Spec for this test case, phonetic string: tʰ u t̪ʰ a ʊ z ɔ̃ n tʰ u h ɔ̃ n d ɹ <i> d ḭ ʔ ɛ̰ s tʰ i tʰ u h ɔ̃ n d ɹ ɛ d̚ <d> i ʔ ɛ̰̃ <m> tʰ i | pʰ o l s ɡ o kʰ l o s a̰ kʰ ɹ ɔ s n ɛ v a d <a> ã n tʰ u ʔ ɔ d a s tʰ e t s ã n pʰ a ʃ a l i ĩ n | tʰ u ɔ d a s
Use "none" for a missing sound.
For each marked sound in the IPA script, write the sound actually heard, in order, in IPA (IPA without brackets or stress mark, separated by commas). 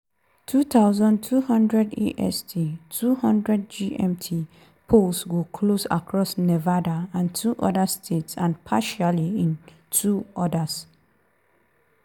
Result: ɛ, d͡ʒ, m, a